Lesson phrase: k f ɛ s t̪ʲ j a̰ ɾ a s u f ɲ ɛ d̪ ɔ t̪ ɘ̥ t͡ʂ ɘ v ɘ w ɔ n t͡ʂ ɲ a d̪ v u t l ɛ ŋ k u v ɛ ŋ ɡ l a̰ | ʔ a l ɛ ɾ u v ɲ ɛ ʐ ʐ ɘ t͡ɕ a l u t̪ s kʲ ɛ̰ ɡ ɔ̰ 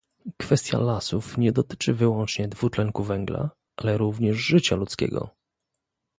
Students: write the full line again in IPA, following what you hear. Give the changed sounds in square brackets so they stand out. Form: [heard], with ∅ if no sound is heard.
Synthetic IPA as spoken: k f ɛ s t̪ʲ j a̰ [l] a s u f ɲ ɛ d̪ ɔ t̪ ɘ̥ t͡ʂ ɘ v ɘ w ɔ n t͡ʂ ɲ [ɛ] d̪ v u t l ɛ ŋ k u v ɛ ŋ ɡ l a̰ | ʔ a l ɛ ɾ u v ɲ ɛ ʐ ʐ ɘ t͡ɕ a l u t̪ s kʲ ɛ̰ ɡ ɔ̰